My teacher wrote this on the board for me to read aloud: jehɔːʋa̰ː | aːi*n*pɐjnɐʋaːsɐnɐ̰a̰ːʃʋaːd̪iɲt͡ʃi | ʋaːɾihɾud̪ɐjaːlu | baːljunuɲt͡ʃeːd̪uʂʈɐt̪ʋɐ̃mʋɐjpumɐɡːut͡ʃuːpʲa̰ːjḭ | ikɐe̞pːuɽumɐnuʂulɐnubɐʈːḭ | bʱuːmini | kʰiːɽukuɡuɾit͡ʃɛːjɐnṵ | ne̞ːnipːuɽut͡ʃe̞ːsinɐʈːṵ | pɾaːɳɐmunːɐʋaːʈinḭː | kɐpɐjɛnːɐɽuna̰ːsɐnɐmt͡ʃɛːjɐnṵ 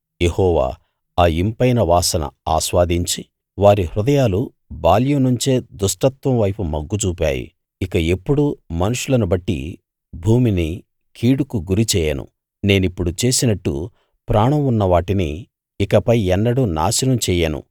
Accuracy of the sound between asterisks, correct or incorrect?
incorrect